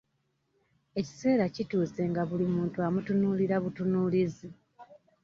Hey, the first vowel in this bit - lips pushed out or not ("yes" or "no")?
no